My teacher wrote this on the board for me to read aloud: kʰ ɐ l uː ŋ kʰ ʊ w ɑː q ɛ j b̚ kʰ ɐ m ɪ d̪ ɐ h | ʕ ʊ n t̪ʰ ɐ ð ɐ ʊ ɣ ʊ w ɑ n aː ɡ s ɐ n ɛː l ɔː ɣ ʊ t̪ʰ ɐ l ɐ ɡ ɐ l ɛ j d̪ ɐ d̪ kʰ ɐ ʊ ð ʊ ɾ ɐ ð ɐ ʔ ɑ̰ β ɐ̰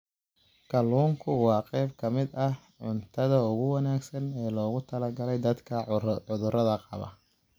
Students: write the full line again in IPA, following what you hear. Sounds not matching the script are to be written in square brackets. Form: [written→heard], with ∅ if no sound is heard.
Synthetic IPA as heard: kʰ ɐ l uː ŋ kʰ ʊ w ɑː q ɛ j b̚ kʰ ɐ m ɪ d̪ ɐ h | ʕ ʊ n t̪ʰ ɐ ð ɐ ʊ ɣ ʊ w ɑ n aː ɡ s ɐ n ɛː l ɔː ɣ ʊ t̪ʰ ɐ l ɐ ɡ ɐ l ɛ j d̪ ɐ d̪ kʰ ɐ ʊ ð ʊ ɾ ɐ ð ɐ [ʔ→q] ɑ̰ β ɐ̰